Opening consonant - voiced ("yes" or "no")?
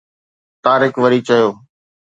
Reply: no